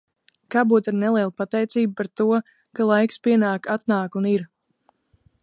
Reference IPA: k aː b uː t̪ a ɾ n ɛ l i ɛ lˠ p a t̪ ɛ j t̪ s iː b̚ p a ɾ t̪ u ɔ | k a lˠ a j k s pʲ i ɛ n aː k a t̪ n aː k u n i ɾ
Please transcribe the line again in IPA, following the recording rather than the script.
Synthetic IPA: k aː b uː t̪ a ɾ n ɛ l i ɛ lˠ p a t̪ ɛ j t̪ s iː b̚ p a ɾ t̪ u ɔ | k a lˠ a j k s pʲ i ɛ n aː k a t̪ n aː k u n i ɾ